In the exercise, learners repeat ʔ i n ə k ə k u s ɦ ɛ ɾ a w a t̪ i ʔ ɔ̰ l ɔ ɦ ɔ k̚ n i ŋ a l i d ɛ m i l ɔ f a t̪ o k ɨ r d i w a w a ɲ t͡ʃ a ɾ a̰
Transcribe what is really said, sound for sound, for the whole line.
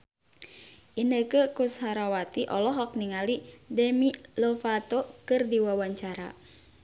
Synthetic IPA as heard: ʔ i n ə k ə k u s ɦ a ɾ a w a t̪ i ʔ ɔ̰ l ɔ ɦ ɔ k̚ n i ŋ a l i d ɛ m i l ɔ f a t̪ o k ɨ r d i w a w a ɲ t͡ʃ a ɾ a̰

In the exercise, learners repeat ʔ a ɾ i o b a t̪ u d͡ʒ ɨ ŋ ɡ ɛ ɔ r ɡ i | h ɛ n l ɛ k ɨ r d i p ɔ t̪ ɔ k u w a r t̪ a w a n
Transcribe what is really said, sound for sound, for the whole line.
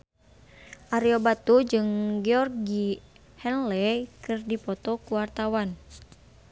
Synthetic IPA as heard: ʔ a ɾ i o b a t̪ u d͡ʒ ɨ ŋ ɡ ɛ ɔ r ɡ i | h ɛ n l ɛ k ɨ r d i p ɔ t̪ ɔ k u w a r t̪ a w a n

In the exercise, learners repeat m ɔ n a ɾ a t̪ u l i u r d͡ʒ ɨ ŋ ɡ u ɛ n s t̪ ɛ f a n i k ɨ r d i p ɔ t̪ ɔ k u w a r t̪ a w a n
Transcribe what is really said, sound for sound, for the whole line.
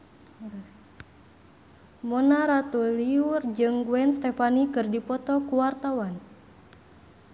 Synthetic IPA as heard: m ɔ n a ɾ a t̪ u l i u r d͡ʒ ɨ ŋ ɡ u ɛ n s t̪ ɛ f a n i k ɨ r d i p ɔ t̪ ɔ k u w a r t̪ a w a n

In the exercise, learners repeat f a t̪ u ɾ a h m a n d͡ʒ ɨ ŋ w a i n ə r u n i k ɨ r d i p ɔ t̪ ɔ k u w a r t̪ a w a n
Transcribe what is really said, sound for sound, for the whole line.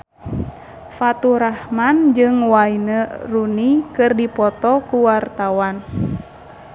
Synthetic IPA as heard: f a t̪ u ɾ a h m a n d͡ʒ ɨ ŋ w a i n ə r u n i k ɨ r d i p ɔ t̪ ɔ k u w a r t̪ a w a n

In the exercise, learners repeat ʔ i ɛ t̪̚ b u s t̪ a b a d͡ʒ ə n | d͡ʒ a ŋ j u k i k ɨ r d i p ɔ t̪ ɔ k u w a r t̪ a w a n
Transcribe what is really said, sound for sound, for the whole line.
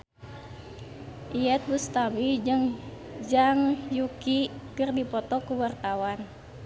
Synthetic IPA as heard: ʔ i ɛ t̪̚ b u s t̪ a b i d͡ʒ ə ŋ | d͡ʒ a ŋ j u k i k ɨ r d i p ɔ t̪ ɔ k u w a r t̪ a w a n

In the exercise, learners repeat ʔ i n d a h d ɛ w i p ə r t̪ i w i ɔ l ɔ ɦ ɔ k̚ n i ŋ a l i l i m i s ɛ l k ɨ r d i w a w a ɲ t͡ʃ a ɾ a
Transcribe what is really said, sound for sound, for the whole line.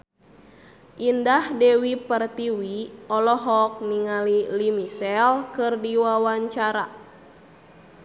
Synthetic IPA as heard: ʔ i n d a h d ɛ w i p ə r t̪ i w i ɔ l ɔ ɦ ɔ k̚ n i ŋ a l i l i m i s ɛ l k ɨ r d i w a w a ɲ t͡ʃ a ɾ a

